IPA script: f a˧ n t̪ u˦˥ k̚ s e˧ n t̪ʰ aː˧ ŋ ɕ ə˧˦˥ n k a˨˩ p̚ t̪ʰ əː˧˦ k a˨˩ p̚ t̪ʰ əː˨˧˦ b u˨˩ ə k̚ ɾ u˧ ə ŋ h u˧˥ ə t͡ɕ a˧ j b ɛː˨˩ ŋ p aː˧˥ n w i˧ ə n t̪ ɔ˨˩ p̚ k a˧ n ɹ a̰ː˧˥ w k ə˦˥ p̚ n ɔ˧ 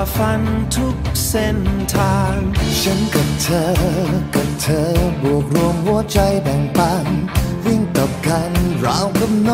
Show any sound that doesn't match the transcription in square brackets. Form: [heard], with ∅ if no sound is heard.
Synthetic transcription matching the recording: f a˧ n [t̪ʰ] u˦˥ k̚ s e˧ n t̪ʰ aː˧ ŋ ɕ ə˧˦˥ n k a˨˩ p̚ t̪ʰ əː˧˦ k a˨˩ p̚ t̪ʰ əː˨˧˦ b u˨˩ ə k̚ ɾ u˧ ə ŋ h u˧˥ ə t͡ɕ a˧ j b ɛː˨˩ ŋ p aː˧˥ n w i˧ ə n t̪ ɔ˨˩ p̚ k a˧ n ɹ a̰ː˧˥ w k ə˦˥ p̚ n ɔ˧